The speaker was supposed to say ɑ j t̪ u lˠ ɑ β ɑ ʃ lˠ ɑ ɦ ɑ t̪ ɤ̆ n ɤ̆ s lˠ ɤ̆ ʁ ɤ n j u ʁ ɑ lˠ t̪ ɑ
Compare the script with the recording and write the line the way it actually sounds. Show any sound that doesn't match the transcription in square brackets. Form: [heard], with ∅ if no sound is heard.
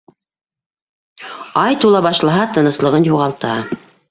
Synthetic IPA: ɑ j t̪ u lˠ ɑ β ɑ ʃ lˠ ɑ ɦ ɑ t̪ ɤ̆ n ɤ̆ s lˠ ɤ̆ ʁ ɤ n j u ʁ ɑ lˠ t̪ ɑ